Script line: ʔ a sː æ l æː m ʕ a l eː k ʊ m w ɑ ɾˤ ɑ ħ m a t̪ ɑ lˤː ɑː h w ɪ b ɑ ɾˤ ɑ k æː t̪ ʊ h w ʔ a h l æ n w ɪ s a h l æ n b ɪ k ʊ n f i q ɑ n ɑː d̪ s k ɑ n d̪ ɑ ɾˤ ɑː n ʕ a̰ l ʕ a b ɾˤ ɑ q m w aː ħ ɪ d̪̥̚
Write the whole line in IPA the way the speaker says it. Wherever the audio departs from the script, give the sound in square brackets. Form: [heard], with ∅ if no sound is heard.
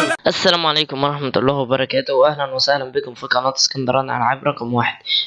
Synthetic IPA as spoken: ʔ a sː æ l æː m ʕ a l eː k ʊ m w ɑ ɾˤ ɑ ħ m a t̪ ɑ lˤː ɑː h w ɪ b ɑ ɾˤ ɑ k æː t̪ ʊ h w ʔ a h l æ n w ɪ s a h l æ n b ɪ k ʊ [m] f i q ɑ n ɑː [t̪] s k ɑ n d̪ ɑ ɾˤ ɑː n ʕ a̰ l ʕ a b ɾˤ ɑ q m w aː ħ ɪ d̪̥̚